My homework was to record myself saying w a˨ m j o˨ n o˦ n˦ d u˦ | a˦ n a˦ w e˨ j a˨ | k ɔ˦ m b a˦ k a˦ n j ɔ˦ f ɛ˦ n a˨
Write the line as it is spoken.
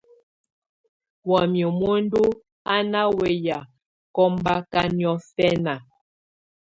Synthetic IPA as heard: w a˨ m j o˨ m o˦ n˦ d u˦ | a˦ n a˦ w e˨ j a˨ | k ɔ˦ m b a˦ k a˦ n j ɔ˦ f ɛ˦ n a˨